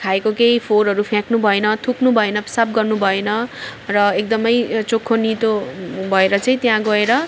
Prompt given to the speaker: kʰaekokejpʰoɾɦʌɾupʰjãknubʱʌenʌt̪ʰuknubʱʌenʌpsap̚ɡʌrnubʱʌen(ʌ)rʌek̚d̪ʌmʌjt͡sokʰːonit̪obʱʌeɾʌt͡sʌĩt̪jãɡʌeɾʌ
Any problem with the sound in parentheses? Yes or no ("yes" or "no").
no